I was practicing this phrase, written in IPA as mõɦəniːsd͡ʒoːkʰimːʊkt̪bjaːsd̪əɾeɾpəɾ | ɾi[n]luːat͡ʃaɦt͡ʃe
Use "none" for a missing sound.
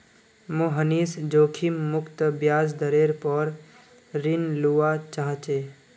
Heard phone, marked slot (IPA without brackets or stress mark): n